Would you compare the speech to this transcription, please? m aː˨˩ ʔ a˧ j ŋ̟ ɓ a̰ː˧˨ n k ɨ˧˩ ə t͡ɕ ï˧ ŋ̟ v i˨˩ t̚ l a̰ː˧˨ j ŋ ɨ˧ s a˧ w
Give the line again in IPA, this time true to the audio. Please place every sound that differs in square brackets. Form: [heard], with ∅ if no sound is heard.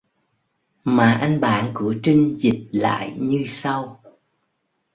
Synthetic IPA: m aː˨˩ ʔ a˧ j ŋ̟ ɓ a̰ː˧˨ n k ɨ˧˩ ə t͡ɕ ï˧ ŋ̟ [z] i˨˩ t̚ l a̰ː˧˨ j [ɲ] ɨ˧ s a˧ w